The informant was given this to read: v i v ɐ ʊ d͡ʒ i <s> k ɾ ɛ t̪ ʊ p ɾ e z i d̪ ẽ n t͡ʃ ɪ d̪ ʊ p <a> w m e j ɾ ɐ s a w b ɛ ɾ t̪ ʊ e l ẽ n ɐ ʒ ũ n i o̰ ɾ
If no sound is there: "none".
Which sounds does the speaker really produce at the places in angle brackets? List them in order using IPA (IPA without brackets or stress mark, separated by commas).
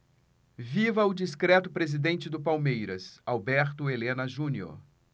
s, a